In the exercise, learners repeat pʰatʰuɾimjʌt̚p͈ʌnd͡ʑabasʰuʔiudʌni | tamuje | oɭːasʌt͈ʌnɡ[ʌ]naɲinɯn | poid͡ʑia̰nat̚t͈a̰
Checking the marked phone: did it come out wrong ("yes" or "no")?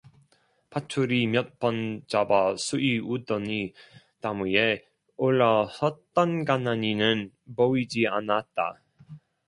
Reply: yes